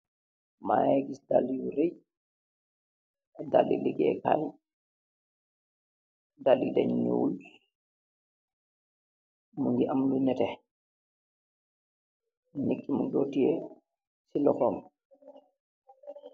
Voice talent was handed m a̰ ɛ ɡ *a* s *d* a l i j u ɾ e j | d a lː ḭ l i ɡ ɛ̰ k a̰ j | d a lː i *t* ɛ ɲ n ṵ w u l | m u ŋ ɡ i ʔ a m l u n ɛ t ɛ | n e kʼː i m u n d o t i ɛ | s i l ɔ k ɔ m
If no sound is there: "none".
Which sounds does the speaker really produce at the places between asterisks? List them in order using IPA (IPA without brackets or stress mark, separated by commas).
i, d, d